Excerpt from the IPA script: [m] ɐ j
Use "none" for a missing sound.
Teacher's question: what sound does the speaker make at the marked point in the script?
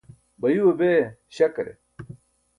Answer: b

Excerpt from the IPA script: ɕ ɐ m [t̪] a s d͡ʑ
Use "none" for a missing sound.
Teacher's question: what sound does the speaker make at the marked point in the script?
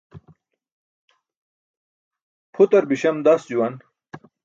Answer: d̪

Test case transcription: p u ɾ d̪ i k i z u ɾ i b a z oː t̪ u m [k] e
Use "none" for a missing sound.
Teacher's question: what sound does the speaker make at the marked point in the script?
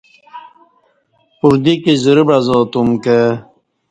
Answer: k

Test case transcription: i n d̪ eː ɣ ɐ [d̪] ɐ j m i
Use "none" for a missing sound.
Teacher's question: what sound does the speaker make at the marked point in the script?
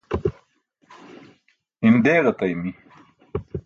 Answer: t̪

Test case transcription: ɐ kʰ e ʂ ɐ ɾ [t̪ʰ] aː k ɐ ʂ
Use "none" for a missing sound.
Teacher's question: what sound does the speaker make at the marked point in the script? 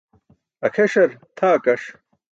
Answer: t̪ʰ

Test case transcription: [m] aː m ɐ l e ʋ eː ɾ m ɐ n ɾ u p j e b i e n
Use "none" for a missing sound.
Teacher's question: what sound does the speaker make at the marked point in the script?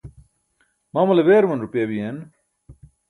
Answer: m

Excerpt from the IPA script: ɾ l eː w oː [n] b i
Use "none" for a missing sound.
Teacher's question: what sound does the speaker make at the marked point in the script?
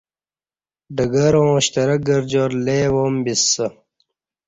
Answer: m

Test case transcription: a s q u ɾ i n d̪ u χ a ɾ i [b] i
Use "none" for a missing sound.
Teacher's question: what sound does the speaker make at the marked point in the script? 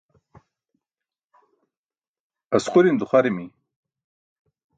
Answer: m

